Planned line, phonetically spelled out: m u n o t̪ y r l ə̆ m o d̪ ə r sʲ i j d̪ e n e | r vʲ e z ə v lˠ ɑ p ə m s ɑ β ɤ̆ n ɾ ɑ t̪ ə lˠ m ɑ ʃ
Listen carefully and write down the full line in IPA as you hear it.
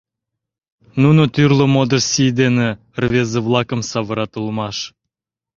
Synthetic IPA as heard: n u n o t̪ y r l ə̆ m o d̪ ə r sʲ i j d̪ e n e | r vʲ e z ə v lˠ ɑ k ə m s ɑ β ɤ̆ ɾ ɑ t̪ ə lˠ m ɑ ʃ